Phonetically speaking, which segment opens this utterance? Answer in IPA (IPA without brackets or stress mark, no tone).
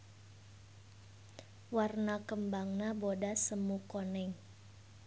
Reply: w